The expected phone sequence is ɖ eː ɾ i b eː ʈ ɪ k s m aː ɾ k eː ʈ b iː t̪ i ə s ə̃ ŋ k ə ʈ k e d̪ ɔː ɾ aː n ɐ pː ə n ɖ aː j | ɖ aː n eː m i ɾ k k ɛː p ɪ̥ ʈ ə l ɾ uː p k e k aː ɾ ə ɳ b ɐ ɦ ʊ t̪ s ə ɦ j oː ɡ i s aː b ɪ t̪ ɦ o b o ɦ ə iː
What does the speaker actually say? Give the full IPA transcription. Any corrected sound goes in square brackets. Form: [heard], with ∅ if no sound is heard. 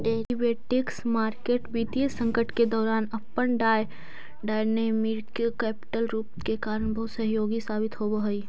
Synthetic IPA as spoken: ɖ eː ɾ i b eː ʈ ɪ k s m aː ɾ k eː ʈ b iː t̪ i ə s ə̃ ŋ k ə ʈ k e d̪ ɔː ɾ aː n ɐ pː ə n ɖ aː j | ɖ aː n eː m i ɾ k k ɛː p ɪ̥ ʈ ə l ɾ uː p k e k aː ɾ ə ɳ b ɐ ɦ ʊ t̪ s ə ɦ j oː ɡ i s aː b ɪ t̪ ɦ o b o ɦ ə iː